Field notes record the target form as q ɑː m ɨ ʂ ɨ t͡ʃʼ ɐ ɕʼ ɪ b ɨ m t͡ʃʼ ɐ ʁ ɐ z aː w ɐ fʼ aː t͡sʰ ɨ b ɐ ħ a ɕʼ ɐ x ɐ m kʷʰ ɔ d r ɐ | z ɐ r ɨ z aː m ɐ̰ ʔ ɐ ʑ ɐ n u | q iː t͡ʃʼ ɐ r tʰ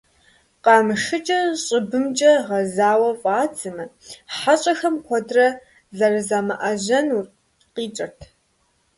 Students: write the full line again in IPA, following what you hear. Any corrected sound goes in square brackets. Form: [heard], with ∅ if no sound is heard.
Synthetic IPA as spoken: q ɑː m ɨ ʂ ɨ t͡ʃʼ ɐ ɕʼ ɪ b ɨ m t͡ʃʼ ɐ ʁ ɐ z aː w ɐ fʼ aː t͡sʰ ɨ [m] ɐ ħ a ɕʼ ɐ x ɐ m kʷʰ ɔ d r ɐ | z ɐ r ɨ z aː m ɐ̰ ʔ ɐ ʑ ɐ n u | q iː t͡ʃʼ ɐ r tʰ